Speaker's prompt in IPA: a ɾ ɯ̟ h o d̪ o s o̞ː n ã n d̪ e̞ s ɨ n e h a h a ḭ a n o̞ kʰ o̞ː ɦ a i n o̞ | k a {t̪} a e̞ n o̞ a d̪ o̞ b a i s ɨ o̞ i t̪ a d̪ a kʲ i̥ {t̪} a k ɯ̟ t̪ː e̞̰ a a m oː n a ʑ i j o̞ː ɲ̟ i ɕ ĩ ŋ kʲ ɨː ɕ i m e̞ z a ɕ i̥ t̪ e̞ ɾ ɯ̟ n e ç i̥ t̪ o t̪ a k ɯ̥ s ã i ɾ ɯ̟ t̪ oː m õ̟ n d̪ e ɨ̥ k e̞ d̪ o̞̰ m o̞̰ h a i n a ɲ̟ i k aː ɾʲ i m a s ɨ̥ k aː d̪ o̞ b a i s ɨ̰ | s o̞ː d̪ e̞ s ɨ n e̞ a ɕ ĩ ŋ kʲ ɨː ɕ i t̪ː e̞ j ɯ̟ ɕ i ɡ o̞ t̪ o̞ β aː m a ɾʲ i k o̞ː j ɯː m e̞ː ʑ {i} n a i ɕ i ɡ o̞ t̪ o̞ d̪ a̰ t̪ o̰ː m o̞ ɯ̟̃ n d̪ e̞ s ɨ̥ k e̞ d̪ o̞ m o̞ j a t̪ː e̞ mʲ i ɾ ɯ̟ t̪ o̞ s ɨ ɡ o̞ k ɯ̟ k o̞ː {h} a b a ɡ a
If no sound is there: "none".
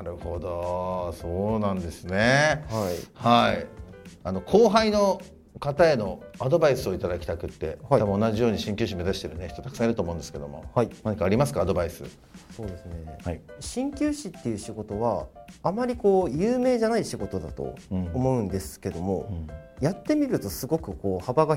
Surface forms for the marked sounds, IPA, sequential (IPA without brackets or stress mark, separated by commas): t̪, t̪, a, h